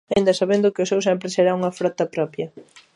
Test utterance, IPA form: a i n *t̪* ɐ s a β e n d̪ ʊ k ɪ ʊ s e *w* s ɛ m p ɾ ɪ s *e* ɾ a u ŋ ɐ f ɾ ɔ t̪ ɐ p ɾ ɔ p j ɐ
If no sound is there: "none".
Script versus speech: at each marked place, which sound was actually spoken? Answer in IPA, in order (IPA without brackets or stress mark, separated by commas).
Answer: d̪, w, e